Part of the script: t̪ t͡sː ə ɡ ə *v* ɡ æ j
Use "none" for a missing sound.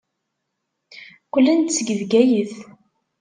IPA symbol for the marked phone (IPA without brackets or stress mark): ð